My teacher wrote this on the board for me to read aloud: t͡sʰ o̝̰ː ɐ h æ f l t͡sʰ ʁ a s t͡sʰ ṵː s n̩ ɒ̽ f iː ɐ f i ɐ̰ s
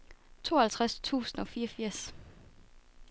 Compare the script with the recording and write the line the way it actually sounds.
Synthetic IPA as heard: t͡sʰ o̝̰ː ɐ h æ l t͡sʰ ʁ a s t͡sʰ ṵː s n̩ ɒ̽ f iː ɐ f i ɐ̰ s